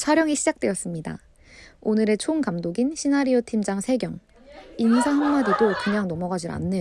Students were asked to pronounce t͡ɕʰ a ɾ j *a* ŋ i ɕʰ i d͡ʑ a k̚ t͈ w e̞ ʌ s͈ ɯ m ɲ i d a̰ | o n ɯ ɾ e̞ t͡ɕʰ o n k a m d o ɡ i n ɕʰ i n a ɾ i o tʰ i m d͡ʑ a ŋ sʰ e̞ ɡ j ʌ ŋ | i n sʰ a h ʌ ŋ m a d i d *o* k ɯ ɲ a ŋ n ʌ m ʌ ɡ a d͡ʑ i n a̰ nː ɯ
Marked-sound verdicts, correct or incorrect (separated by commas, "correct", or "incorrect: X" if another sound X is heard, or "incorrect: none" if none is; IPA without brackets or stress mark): incorrect: ʌ, correct